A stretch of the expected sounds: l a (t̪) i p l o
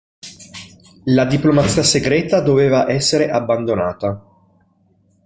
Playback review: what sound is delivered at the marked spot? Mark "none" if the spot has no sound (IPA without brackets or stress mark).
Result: d̪